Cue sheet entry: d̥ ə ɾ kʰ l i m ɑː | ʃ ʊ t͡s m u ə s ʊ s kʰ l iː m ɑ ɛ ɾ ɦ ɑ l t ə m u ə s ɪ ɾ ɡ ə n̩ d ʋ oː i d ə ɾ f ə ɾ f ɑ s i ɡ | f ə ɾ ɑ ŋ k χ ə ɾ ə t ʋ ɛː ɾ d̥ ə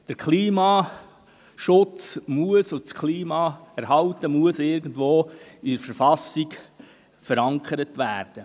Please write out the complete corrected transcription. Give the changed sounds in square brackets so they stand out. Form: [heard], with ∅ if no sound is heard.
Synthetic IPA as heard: d̥ ə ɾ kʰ l [iː] m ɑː | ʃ ʊ t͡s m u ə s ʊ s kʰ l iː m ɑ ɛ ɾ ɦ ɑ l t ə m u ə s ɪ ɾ ɡ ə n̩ d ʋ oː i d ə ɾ f ə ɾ f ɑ s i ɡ | f ə ɾ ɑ ŋ k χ ə ɾ ə t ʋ [æː] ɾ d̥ ə

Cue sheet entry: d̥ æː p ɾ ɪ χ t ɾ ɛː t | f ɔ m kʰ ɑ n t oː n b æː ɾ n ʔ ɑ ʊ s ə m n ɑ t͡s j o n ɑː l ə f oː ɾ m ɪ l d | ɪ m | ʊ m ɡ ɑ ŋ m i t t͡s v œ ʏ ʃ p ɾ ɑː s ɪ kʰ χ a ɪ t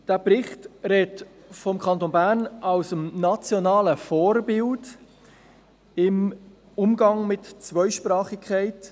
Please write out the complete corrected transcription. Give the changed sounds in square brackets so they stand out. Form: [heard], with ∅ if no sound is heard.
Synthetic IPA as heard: d̥ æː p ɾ ɪ χ t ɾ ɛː t | f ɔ m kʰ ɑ n t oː n b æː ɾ n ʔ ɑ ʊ s ə m n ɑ t͡s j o n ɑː l ə f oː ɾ [b] ɪ l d | ɪ m | ʊ m ɡ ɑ ŋ m [ɪ] t t͡s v œ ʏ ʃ p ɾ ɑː [χ] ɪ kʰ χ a ɪ t

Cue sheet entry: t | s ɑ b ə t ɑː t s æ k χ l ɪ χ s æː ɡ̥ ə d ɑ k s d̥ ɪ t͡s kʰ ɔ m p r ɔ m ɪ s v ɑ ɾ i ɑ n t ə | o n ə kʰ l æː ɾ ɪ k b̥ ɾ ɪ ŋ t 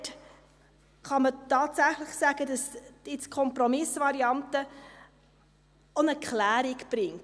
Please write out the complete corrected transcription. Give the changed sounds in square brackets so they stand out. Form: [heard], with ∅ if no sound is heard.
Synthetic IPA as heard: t | [χ] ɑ [m] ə t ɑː t s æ [∅] χ l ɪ χ s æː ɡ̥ ə d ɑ [∅] s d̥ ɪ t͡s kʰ ɔ m p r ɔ m ɪ s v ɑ ɾ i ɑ n t ə | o n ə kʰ l æː ɾ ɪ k b̥ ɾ ɪ ŋ t

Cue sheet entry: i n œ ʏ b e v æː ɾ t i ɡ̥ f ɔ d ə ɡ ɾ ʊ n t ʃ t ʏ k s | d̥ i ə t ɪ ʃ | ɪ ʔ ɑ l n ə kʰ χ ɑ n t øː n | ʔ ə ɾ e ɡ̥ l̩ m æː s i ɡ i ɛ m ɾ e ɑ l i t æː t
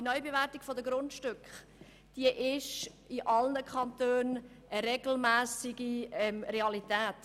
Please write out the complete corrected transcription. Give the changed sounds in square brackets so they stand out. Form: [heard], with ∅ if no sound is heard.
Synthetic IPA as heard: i n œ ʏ b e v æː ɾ t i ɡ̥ f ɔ d ə ɡ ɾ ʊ n t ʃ t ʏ k [χ] | d̥ i ə [ʔ] ɪ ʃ | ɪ ʔ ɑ l n ə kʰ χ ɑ n t øː n | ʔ ə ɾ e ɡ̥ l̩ m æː s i ɡ i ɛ m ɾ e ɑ l i t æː t

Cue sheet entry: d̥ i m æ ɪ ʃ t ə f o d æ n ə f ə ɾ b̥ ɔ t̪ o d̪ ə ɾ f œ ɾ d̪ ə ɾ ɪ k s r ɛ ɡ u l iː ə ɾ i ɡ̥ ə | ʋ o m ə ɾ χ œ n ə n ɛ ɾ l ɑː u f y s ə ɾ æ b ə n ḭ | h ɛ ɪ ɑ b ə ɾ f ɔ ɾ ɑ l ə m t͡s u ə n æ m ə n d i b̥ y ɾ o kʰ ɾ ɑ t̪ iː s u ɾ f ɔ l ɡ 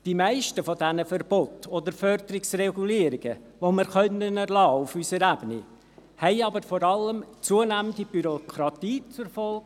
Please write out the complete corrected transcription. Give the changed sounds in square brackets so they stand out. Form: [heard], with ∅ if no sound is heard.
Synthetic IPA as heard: d̥ i m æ ɪ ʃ t ə f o d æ n ə f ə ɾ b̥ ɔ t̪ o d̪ ə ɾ f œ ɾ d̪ ə ɾ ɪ k s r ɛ ɡ u l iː ə ɾ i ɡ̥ ə | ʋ o m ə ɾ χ œ n ə n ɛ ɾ l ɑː u f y s ə ɾ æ b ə n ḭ | h ɛ ɪ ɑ b ə ɾ f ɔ ɾ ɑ l ə m t͡s u ə n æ m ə n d i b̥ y ɾ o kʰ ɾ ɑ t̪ iː [t͡s] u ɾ f ɔ l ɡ

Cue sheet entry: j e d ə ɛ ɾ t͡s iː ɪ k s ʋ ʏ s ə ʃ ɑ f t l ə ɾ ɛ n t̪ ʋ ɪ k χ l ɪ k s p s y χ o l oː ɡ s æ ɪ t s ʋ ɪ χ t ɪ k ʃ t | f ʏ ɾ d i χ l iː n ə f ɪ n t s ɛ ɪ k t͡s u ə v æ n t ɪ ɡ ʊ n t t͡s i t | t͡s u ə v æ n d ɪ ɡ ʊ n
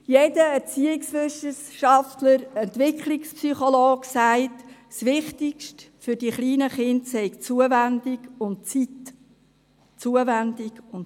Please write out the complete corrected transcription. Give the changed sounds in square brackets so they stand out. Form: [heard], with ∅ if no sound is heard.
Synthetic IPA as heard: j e d ə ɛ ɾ t͡s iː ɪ k s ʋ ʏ s ə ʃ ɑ f t l ə ɾ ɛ n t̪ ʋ ɪ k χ l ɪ k s p s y χ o l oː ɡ s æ ɪ t s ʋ ɪ χ t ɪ k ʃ t | f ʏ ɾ d i χ l iː n ə [χ] ɪ n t s ɛ ɪ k t͡s u ə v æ n [d] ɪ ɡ ʊ n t t͡s i t | t͡s u ə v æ n d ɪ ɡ ʊ n

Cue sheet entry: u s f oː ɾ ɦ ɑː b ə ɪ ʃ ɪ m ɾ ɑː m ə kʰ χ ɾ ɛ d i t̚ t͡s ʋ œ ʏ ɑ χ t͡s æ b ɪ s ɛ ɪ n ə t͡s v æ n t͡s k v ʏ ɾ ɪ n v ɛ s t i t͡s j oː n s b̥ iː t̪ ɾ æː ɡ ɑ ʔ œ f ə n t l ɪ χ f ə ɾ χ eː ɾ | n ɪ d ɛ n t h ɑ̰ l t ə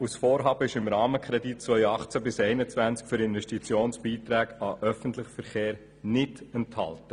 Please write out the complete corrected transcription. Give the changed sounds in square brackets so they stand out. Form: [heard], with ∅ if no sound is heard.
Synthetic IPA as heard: u s f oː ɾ ɦ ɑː b ə ɪ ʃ ɪ m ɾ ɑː m ə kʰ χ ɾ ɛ d i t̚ t͡s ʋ œ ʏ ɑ χ t͡s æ b ɪ s ɛ ɪ n ə t͡s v æ n t͡s k [f] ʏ ɾ ɪ n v ɛ [ʃ] t i t͡s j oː n s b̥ iː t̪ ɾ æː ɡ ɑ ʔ œ f ə n t l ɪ χ f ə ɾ χ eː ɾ | n ɪ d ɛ n t h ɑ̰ l t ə

